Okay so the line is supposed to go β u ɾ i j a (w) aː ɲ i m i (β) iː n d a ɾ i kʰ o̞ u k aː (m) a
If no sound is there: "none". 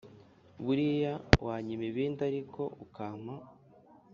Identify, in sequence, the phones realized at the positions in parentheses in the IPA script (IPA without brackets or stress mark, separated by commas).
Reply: w, β, m